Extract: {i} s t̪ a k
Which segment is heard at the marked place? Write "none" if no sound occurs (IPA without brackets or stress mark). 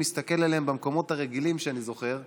i